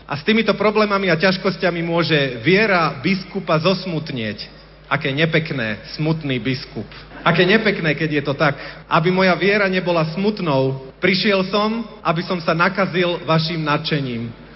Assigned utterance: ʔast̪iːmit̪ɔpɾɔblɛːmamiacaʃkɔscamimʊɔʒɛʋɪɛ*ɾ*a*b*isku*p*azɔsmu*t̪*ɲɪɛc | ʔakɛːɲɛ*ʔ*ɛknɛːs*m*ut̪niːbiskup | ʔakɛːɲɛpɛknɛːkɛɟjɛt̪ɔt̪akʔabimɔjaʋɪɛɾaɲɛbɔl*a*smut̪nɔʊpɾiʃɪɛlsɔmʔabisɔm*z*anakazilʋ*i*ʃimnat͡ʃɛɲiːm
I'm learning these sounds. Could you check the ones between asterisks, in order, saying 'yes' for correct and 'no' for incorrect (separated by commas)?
yes, yes, yes, yes, no, yes, yes, no, no